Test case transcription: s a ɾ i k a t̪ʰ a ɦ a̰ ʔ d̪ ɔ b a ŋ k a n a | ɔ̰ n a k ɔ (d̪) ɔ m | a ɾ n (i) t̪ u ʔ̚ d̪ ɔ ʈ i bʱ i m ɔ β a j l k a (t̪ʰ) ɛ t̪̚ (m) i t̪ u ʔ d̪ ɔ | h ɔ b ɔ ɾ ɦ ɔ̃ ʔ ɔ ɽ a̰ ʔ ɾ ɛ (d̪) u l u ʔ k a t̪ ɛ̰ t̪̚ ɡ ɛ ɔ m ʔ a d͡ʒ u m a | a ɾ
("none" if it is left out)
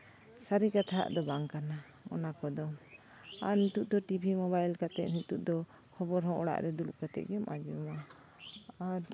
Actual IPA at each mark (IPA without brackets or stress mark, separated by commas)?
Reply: d̪, i, t̪, n, d̪